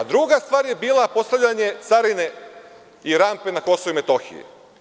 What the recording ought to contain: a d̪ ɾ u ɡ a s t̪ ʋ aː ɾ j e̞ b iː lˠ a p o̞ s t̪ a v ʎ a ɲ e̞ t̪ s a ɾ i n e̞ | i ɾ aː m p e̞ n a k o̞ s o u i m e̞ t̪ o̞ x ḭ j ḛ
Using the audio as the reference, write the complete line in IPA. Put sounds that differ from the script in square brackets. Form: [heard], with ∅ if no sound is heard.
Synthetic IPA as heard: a d̪ ɾ u ɡ a s t̪ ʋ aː ɾ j e̞ b iː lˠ a p o̞ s t̪ a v ʎ a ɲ e̞ t̪ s a ɾ i n e̞ | i ɾ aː m p e̞ n a k o̞ s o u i m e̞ t̪ o̞ x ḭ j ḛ